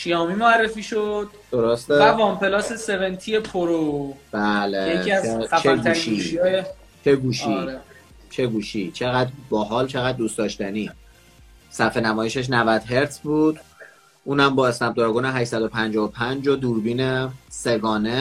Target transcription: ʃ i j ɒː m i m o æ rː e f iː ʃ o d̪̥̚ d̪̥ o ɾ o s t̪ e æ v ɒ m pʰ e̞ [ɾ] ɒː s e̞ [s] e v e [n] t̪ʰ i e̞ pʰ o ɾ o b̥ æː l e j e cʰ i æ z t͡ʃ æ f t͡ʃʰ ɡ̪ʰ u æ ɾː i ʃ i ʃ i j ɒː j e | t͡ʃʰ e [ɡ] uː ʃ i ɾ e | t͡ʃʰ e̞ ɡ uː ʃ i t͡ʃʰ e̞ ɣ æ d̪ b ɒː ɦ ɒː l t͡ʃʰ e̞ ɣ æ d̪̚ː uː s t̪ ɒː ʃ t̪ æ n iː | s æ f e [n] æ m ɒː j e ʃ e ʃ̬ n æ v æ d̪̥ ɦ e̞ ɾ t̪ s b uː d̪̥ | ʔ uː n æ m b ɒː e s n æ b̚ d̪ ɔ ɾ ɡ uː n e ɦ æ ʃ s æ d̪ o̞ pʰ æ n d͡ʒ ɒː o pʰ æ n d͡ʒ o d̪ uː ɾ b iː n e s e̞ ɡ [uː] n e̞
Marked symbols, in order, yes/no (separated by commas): no, yes, yes, yes, yes, no